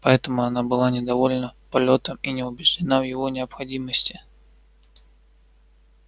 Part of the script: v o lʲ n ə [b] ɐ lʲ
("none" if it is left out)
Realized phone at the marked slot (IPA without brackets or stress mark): p